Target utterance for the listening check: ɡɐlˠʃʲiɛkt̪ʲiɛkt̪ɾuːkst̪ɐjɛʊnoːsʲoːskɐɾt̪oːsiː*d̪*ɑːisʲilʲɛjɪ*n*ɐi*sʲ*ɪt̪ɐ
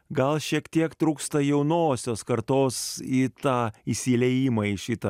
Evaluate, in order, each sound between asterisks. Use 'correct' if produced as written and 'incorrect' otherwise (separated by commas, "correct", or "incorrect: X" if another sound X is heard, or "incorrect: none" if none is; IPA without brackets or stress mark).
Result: incorrect: t̪, incorrect: m, incorrect: ʃʲ